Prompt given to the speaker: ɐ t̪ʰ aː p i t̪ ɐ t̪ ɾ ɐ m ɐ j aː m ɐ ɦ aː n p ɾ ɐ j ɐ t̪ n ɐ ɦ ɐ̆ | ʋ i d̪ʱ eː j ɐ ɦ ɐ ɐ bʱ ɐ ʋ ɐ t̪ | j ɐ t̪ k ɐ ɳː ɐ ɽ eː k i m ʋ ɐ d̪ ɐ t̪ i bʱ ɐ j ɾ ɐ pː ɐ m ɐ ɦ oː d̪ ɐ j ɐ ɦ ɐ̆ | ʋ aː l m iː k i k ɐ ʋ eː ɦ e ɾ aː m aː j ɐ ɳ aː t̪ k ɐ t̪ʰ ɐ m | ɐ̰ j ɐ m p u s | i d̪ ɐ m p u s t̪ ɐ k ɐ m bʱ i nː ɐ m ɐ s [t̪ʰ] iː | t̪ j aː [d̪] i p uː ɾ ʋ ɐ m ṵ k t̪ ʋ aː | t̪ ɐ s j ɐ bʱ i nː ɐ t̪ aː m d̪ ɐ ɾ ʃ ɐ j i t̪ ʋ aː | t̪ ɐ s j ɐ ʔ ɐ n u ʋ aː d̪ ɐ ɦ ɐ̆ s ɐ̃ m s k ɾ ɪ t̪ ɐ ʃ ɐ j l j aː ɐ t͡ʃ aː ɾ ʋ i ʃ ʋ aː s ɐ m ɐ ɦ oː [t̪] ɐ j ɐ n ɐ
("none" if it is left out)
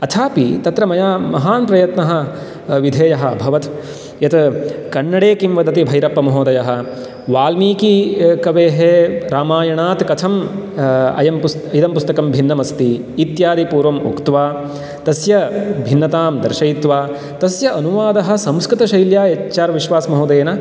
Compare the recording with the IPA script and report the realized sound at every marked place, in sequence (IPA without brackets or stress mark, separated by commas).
t̪, d̪, d̪